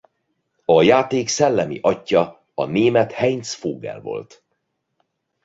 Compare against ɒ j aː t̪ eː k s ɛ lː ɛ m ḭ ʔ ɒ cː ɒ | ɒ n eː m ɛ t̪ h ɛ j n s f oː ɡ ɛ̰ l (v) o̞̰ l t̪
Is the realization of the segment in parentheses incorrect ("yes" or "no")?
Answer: no